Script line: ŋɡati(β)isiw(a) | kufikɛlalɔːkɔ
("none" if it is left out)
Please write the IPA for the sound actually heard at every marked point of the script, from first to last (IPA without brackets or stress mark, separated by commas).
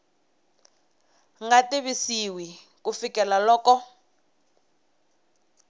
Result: β, i